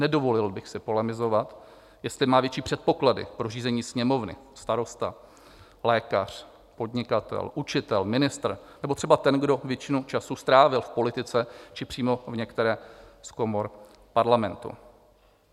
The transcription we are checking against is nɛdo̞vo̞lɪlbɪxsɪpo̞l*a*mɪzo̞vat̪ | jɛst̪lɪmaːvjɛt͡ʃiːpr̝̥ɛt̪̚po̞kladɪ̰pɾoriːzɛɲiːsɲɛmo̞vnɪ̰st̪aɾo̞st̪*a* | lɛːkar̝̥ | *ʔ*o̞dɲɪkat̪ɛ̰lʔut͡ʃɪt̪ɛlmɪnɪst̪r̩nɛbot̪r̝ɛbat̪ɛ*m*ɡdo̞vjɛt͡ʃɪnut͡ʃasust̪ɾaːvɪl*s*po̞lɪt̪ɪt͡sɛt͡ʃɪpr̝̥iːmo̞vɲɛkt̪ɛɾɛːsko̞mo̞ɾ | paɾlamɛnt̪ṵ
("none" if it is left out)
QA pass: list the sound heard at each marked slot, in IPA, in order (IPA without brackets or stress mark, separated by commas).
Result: ɛ, a, p, n, f